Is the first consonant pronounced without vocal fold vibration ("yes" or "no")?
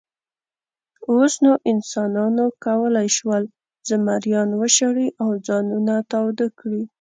yes